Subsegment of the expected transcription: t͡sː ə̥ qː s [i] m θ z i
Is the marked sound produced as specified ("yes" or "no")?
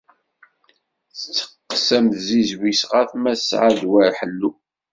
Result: no